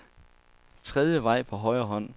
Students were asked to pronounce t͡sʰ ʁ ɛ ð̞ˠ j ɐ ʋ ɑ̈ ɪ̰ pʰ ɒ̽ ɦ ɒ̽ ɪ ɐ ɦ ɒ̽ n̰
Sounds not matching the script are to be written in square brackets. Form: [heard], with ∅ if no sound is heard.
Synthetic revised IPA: t͡sʰ ʁ ɛ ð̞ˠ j [ə] ʋ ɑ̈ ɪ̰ pʰ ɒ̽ ɦ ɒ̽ ɪ ɐ ɦ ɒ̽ n̰